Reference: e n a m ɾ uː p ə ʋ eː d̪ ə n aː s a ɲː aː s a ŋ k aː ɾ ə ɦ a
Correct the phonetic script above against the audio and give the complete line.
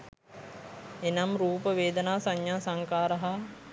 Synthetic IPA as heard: e n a m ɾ uː p ə ʋ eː d̪ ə n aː s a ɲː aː s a ŋ k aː ɾ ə ɦ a